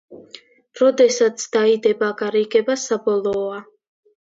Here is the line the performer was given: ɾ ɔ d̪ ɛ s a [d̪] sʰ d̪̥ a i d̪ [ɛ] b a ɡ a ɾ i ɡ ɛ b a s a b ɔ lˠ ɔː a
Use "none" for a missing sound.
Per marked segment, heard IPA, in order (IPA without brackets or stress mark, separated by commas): t̪, ɛ